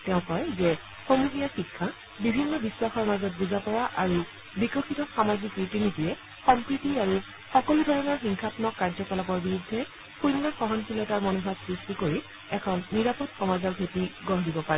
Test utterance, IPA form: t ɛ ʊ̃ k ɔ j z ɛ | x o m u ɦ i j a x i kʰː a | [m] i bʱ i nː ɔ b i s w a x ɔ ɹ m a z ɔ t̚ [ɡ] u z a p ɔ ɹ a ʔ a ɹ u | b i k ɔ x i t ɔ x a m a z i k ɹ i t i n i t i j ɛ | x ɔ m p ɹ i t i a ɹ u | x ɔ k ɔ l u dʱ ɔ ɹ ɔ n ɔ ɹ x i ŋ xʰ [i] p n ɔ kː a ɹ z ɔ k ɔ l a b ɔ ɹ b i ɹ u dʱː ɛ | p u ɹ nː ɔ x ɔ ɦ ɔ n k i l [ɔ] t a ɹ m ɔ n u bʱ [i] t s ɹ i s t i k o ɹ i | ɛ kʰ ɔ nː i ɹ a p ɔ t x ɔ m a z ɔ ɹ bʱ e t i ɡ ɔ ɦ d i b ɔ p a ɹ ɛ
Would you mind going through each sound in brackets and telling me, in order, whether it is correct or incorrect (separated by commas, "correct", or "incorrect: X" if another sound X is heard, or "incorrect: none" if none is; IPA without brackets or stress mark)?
incorrect: b, incorrect: b, incorrect: a, correct, incorrect: a